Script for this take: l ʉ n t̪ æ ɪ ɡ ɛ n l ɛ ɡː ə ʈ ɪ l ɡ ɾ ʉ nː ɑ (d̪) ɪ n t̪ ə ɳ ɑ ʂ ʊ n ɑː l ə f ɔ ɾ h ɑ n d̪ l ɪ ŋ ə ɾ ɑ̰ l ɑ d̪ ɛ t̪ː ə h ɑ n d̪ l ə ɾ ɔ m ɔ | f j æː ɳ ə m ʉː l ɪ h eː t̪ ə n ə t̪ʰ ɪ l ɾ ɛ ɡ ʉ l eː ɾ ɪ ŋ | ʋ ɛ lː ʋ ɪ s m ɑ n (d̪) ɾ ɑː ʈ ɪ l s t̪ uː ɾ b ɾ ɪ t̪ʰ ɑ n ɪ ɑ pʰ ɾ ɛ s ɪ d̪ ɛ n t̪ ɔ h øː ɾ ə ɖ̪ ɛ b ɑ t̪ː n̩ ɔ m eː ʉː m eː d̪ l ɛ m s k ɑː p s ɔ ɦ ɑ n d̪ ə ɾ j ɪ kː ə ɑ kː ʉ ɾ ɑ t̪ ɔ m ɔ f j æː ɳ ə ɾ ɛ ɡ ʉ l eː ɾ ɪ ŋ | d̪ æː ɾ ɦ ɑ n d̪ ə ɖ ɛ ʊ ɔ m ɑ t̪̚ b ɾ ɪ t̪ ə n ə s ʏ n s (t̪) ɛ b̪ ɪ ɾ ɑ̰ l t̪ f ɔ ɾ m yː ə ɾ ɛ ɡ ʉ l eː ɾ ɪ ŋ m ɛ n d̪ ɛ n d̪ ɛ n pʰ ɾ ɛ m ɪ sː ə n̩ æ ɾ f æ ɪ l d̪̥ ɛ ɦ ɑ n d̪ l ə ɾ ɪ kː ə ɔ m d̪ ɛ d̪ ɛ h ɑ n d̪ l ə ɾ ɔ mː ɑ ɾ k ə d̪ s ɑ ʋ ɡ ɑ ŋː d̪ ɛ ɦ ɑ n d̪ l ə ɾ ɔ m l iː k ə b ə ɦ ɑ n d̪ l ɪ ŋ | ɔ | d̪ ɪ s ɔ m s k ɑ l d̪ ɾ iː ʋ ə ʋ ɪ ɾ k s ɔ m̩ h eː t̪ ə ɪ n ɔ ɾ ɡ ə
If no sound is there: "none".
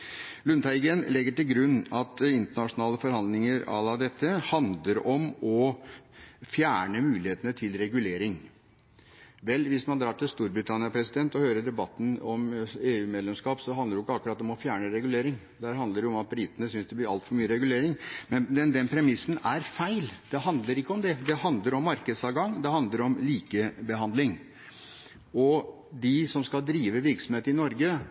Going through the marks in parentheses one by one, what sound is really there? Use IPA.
t̪, d̪, d̪

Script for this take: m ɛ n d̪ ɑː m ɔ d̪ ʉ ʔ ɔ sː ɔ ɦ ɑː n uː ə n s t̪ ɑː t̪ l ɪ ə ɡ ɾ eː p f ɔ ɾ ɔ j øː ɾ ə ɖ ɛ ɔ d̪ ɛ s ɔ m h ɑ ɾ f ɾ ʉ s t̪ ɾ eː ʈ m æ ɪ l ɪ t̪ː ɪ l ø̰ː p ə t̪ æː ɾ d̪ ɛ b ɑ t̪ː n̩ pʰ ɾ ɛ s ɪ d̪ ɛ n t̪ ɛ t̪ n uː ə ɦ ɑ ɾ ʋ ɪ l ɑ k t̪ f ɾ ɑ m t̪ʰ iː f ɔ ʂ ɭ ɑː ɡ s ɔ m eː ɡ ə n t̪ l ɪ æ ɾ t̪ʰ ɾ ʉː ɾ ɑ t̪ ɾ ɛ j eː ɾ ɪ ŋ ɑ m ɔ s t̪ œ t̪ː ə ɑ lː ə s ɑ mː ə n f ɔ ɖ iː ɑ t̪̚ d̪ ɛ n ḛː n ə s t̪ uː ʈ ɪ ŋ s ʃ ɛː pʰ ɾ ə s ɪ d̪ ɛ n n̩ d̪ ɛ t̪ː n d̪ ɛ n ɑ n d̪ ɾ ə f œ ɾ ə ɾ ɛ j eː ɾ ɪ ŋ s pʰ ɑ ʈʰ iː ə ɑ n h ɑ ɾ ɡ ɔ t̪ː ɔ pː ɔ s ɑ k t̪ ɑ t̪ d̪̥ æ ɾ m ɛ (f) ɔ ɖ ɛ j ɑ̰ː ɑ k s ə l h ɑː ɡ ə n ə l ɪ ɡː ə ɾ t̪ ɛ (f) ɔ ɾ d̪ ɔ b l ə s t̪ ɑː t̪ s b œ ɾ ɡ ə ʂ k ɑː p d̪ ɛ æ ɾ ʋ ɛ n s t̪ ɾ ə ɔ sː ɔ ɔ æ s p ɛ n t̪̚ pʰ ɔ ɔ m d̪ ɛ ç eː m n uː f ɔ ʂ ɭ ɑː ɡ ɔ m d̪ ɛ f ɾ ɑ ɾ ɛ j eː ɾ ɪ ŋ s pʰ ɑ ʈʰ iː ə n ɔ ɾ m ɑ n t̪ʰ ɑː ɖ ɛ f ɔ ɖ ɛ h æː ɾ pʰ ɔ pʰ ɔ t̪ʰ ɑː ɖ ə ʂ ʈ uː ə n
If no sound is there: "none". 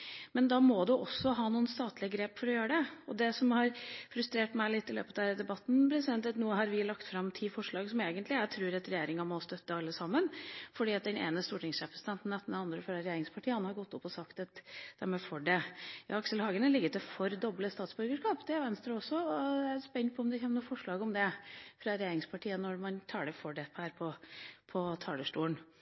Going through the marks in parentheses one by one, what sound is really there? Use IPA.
f, f

